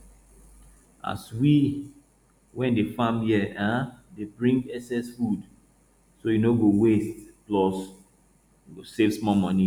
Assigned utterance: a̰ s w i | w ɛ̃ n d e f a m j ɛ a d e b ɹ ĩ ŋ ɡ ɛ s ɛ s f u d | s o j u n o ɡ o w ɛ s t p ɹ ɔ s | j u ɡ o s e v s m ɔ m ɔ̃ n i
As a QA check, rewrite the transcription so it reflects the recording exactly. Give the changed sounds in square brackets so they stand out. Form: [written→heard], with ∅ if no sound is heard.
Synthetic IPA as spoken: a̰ s w i | w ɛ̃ n d e f a m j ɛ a d e b ɹ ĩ ŋ ɡ ɛ s ɛ s f u d | s o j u n o ɡ o w [ɛ→e] s t p [ɹ→l] ɔ s | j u ɡ o s e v s m ɔ m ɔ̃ n i

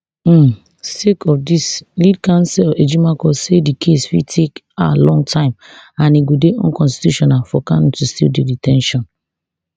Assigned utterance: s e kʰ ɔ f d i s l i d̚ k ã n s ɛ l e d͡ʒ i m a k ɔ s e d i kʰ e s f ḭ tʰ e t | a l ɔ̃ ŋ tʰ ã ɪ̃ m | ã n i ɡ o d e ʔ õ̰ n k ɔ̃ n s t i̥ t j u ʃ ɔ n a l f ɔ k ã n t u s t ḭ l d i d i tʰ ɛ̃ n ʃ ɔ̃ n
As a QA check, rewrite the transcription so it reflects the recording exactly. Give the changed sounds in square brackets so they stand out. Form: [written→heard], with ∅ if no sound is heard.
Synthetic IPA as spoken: s e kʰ ɔ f d i s l i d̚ k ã n s ɛ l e d͡ʒ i m a k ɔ s e d i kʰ e s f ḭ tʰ e [t→k] | a l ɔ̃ ŋ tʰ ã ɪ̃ m | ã n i ɡ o d e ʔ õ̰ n k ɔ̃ n s t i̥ t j u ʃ ɔ n a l f ɔ k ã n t u s t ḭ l d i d i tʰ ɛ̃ n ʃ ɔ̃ n

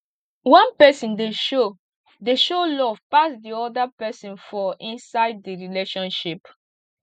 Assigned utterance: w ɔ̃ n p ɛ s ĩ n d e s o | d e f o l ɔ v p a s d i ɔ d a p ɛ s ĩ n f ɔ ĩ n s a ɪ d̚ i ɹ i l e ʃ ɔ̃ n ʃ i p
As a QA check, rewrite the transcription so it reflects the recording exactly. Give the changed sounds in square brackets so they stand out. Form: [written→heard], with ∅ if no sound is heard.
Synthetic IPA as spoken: w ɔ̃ n p ɛ s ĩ n d e [s→ʃ] o | d e [f→ʃ] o l ɔ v p a s d i ɔ d a p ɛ s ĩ n f ɔ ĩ n s a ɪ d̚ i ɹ i l e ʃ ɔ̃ n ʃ i p

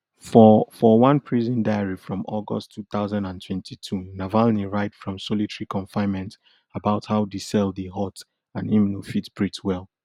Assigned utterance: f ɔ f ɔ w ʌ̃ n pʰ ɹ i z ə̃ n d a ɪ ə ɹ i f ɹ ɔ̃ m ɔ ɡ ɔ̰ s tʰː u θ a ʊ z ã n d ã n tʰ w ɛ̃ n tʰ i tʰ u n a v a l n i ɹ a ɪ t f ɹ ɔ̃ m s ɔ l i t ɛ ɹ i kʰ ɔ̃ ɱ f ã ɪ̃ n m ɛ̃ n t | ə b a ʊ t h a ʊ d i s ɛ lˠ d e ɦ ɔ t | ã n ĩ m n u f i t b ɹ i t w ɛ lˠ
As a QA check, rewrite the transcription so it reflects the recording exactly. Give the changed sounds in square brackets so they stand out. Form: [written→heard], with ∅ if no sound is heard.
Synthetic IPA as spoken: f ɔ f ɔ w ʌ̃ n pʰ ɹ i z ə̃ n d a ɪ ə ɹ i f ɹ ɔ̃ m ɔ ɡ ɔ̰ s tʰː u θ a ʊ z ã n d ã n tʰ w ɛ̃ n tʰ i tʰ u n a v a l n i ɹ a ɪ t f ɹ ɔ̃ m s ɔ l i t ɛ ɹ i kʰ ɔ̃ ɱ f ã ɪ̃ n m ɛ̃ n t | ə b a ʊ t h a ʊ d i s ɛ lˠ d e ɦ ɔ t | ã n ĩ m n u f i t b ɹ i t w ɛ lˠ

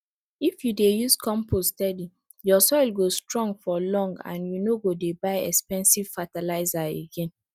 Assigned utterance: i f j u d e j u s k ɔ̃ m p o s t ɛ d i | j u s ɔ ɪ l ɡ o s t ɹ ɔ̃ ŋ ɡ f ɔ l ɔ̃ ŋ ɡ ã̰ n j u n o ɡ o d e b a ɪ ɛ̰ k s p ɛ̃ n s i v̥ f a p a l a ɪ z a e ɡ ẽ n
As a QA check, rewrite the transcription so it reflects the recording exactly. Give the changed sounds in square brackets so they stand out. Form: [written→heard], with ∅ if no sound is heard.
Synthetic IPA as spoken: i f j u d e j u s k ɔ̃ m p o s t ɛ d i | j [u→ɔ] s ɔ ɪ l ɡ o s t ɹ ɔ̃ ŋ ɡ f ɔ l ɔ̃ ŋ ɡ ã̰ n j u n o ɡ o d e b a ɪ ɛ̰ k s p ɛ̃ n s i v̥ f a [p→t] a l a ɪ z a e ɡ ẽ n

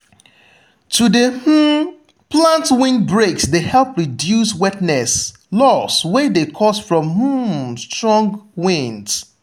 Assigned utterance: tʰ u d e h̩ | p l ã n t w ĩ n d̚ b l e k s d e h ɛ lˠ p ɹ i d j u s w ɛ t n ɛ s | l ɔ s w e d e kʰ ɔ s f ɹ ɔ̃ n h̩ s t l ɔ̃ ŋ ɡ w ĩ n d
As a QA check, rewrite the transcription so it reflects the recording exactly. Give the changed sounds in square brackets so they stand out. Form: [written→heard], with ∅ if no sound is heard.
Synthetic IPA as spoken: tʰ u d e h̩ | p l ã n t w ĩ n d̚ b [l→ɹ] e k s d e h ɛ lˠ p ɹ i d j u s w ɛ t n ɛ s | l ɔ s w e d e kʰ ɔ s f ɹ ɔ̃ [n→m] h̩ s t [l→ɹ] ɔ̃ ŋ ɡ w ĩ n d

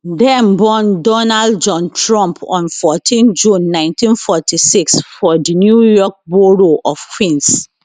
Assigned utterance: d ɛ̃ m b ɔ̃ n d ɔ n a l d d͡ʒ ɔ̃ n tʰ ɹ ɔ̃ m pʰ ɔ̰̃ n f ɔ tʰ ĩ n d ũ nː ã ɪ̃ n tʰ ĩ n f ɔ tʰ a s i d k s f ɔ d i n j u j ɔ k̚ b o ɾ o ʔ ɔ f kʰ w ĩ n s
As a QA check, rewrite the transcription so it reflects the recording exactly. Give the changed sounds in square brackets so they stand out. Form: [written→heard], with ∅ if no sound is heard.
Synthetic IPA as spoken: d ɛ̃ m b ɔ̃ n d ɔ n a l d d͡ʒ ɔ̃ n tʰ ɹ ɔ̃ m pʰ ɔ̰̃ n f ɔ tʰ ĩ n [d→d͡ʒ] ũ nː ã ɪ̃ n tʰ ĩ n f ɔ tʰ [a→i] s i [d→∅] k s f ɔ d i n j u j ɔ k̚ b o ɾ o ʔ ɔ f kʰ w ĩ n s

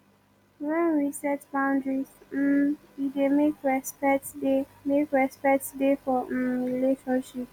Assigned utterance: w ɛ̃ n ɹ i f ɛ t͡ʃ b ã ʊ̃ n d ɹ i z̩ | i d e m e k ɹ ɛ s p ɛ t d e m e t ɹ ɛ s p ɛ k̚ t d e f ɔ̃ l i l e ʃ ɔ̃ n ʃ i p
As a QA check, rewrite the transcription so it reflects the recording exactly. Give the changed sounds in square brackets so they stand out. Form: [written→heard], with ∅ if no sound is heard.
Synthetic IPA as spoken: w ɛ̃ n ɹ i [f→s] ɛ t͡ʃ b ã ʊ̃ n d ɹ i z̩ | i d e m e k ɹ ɛ s p ɛ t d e m e [t→k] ɹ ɛ s p ɛ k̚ t d e f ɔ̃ [l→ɹ] i l e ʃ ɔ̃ n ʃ i p

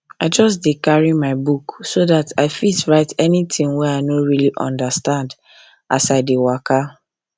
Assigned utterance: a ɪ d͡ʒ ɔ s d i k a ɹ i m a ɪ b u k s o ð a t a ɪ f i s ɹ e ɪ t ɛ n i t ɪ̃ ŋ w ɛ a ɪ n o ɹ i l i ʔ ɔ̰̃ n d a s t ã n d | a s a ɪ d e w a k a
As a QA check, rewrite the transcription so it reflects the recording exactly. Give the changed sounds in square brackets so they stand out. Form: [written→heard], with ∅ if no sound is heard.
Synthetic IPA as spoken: a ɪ d͡ʒ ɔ s d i k a ɹ i m a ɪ b u k s o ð a t a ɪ f i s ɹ [e→a] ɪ t ɛ n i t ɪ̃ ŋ w ɛ a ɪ n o ɹ i l i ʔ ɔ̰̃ n d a s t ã n d | a s a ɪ d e w a k a

